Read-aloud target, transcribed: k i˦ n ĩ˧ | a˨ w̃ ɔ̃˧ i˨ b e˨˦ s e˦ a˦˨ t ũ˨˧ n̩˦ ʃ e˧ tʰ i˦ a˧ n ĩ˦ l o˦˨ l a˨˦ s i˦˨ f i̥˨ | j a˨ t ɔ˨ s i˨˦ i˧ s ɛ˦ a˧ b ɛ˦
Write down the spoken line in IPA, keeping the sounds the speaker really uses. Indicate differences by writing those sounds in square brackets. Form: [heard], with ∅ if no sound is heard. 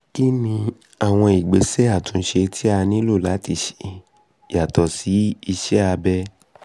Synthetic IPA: k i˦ n ĩ˧ | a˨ w̃ ɔ̃˧ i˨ [ɡ͡b] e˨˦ s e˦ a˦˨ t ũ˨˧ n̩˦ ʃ e˧ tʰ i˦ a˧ n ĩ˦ l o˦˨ l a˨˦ [t] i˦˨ [ʃ] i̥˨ | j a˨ t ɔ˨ s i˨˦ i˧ [ʃ] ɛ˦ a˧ b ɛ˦